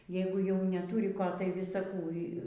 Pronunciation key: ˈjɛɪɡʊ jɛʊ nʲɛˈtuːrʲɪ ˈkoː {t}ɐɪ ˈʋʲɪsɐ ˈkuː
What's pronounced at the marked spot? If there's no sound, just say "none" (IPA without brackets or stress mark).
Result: t